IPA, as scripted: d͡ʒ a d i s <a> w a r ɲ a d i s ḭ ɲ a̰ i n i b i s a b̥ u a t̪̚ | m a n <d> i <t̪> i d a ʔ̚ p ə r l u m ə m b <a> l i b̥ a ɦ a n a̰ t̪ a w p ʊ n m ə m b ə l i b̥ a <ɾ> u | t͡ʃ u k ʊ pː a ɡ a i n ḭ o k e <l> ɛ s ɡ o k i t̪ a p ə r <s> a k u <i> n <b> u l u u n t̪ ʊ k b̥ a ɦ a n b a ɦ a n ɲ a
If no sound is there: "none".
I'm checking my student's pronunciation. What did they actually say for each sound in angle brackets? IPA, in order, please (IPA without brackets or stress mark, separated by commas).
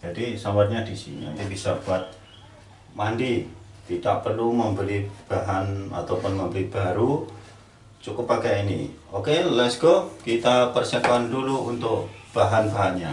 a, d, t̪, ə, ɾ, l, s, a, d